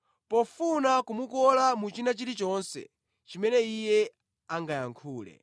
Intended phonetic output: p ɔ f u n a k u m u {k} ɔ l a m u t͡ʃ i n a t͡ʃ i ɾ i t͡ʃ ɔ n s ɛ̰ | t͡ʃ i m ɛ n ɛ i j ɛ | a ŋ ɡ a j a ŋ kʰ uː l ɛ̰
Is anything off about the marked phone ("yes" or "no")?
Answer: no